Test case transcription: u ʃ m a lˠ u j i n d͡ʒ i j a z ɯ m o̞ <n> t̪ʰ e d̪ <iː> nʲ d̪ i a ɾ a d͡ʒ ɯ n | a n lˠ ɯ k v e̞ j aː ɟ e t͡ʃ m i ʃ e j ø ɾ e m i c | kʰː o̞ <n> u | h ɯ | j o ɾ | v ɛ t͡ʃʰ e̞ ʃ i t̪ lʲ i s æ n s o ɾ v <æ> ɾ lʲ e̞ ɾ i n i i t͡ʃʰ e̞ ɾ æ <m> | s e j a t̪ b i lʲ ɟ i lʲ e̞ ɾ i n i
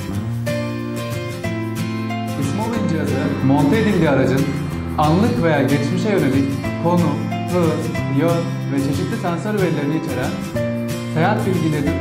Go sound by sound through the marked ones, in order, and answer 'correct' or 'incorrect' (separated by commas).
correct, incorrect, correct, incorrect, incorrect